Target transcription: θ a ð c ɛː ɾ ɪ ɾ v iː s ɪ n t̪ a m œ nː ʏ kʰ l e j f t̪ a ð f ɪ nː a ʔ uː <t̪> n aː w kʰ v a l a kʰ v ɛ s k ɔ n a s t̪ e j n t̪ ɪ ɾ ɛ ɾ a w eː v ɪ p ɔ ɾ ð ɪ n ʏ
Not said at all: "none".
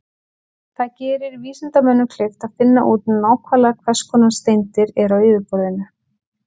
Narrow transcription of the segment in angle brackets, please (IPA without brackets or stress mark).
t̪